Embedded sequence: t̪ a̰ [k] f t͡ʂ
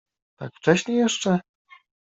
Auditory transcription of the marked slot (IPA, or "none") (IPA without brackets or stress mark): k